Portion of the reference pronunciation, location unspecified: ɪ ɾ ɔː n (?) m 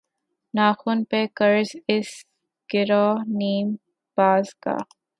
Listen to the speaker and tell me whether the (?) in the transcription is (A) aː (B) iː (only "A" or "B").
B